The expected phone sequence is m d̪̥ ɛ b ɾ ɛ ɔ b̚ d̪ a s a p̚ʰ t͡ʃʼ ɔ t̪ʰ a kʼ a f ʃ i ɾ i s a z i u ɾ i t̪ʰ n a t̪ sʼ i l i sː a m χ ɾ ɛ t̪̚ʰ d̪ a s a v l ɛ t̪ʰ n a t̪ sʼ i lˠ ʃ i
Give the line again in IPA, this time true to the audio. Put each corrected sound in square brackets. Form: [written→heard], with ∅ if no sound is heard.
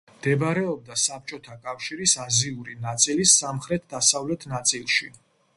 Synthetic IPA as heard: m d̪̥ ɛ b ɾ ɛ ɔ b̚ d̪ a s a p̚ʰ t͡ʃʼ ɔ t̪ʰ a kʼ a f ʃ i ɾ i s a z i u ɾ i [t̪ʰ→∅] n a t̪ sʼ i l i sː a m χ ɾ ɛ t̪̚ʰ d̪ a s a v l ɛ t̪ʰ n a t̪ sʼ i lˠ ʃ i

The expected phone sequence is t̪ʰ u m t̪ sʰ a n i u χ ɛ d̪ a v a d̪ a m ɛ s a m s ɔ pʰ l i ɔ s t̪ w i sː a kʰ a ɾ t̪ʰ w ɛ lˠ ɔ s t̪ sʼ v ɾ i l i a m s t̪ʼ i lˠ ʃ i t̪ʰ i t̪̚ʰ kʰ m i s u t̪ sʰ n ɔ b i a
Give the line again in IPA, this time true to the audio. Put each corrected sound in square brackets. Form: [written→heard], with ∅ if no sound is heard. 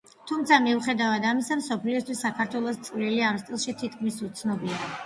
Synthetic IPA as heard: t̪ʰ u m t̪ sʰ a [n→m] i u χ ɛ d̪ a v a d̪ a m [ɛ→i] s a m s ɔ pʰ l i ɔ s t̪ w i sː a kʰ a ɾ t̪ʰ w ɛ lˠ ɔ s t̪ sʼ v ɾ i l i a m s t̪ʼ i lˠ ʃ i t̪ʰ i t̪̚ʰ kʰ m i s u t̪ sʰ n ɔ b i a

